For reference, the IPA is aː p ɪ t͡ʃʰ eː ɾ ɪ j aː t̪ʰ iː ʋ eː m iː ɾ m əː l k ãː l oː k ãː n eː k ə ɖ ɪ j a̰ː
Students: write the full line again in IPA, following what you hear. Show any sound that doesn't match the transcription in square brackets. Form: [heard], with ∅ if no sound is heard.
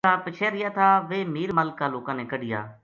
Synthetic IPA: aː p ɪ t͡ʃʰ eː ɾ ɪ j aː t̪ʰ [aː] ʋ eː m iː ɾ m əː l k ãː l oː k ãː n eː k ə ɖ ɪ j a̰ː